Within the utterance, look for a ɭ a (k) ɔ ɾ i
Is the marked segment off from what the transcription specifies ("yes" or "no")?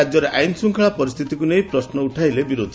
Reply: yes